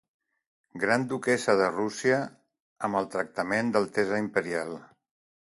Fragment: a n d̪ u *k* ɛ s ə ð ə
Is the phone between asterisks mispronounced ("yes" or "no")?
no